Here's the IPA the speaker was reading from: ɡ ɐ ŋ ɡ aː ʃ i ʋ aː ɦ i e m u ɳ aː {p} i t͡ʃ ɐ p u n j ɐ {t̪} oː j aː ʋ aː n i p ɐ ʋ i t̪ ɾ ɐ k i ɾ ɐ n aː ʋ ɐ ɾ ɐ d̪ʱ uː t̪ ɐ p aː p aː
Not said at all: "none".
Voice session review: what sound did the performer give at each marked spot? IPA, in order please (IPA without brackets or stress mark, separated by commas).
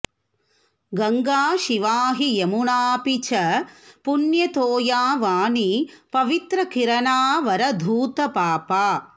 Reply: p, t̪